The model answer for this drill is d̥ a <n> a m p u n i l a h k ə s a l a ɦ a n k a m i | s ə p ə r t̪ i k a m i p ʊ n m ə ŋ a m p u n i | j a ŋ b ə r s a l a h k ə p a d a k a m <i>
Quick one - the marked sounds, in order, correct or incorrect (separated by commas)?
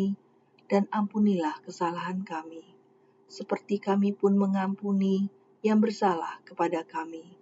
correct, correct